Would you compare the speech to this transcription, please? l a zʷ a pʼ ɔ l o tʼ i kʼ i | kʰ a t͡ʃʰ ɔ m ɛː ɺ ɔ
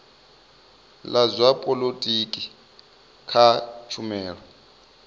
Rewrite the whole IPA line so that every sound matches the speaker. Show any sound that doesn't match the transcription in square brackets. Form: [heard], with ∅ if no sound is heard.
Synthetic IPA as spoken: l a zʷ a pʼ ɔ l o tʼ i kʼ i | kʰ a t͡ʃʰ [u] m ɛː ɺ ɔ